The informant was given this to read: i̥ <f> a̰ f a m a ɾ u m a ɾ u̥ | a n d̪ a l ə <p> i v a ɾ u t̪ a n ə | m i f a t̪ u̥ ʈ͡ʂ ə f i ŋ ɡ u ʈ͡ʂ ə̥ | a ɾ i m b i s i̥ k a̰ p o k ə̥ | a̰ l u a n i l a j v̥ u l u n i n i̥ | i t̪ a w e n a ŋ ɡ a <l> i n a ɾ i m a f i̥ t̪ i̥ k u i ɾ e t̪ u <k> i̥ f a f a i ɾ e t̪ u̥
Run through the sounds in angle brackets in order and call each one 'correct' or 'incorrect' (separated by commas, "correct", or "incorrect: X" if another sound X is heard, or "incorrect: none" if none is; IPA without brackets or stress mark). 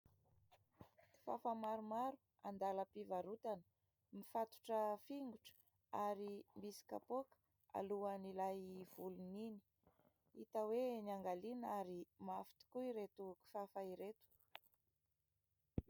correct, correct, correct, correct